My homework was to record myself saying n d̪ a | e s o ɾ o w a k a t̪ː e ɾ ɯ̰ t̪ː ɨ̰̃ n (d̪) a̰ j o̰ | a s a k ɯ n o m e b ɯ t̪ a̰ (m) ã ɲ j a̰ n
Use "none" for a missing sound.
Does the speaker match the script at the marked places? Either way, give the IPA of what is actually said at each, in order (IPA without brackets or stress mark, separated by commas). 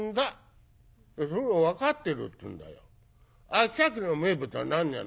d̪, n